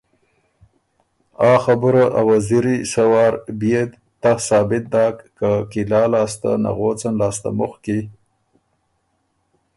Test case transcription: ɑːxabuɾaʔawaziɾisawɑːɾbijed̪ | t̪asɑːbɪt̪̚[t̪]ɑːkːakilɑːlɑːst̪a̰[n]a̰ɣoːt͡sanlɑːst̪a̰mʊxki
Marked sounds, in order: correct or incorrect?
incorrect: d̪, correct

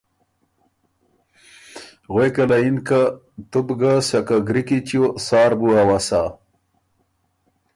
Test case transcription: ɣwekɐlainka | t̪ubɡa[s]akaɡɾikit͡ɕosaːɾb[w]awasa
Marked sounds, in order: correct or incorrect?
correct, incorrect: u

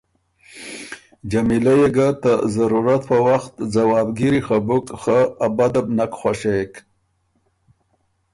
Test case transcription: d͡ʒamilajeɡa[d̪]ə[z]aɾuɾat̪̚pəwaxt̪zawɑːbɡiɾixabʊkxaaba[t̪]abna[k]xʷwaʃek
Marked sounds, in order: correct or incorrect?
incorrect: t̪, correct, incorrect: d̪, correct

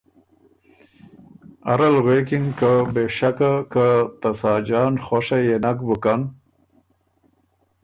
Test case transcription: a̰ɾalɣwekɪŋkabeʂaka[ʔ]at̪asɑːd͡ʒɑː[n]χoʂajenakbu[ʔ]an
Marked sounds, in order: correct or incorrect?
incorrect: k, correct, incorrect: k

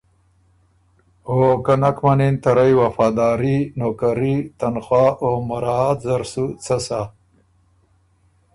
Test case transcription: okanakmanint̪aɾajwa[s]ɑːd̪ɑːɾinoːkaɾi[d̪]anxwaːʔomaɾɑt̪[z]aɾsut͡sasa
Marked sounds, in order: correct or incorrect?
incorrect: f, incorrect: t̪, correct

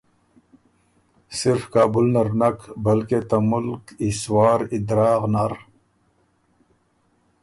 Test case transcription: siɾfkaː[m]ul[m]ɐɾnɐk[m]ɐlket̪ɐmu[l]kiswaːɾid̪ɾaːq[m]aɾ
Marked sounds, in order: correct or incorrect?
incorrect: b, incorrect: n, incorrect: b, correct, incorrect: n

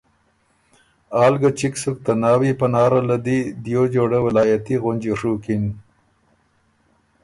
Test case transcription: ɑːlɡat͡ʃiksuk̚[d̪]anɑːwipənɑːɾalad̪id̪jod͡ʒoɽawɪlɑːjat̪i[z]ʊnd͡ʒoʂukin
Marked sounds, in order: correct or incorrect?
incorrect: t̪, incorrect: ɣ

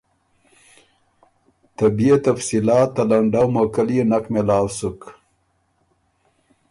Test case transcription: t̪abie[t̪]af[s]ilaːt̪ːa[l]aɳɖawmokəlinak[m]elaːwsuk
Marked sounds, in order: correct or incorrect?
correct, correct, correct, correct

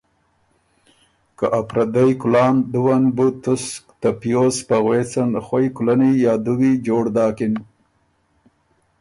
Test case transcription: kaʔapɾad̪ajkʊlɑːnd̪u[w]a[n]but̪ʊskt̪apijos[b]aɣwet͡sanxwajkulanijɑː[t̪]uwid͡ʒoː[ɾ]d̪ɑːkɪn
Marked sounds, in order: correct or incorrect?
correct, correct, incorrect: p, incorrect: d̪, incorrect: ɽ

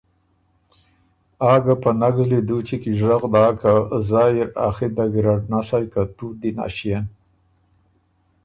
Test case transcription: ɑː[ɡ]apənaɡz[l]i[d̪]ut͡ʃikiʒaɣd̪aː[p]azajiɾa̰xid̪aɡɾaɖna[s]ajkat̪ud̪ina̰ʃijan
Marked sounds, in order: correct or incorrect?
correct, correct, correct, incorrect: k, correct

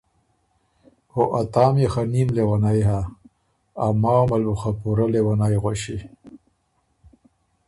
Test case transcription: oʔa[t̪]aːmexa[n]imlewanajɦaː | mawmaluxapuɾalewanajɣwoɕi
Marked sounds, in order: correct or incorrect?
correct, correct

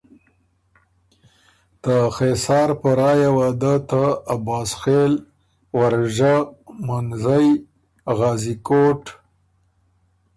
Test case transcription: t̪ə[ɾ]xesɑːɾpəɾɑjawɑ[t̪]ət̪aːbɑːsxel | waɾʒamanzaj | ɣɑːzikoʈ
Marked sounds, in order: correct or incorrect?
incorrect: none, incorrect: d̪

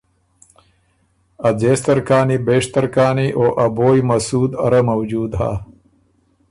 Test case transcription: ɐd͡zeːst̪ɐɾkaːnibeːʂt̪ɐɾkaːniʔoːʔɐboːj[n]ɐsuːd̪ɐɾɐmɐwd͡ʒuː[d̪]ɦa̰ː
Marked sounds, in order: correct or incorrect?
incorrect: m, correct

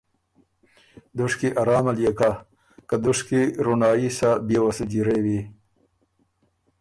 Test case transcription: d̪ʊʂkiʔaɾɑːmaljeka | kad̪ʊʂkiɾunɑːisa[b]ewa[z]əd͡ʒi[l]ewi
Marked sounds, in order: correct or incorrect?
correct, incorrect: s, incorrect: ɾ

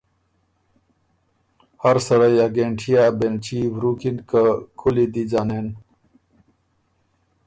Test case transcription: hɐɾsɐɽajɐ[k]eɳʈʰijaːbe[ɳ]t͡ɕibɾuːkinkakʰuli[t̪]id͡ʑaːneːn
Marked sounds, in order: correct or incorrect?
incorrect: ɡ, incorrect: n, incorrect: d̪

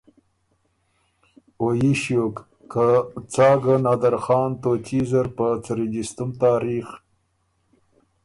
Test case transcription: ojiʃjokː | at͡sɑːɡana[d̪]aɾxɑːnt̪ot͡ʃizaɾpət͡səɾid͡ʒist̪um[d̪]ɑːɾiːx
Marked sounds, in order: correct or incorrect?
correct, incorrect: t̪

